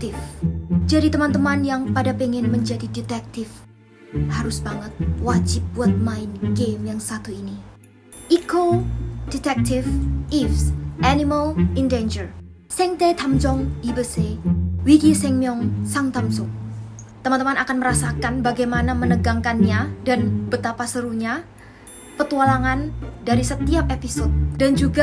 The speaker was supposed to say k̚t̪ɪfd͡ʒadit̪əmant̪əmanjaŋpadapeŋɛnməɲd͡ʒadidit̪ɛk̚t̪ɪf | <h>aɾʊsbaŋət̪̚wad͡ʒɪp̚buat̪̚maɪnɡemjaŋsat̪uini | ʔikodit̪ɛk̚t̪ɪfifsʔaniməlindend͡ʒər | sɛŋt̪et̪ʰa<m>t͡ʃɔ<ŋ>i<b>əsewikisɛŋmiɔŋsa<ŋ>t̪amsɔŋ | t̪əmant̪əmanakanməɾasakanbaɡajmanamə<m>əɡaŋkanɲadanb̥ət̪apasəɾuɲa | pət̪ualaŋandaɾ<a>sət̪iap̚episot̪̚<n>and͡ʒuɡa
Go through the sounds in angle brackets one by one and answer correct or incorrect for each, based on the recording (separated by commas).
correct, correct, correct, correct, correct, incorrect, incorrect, incorrect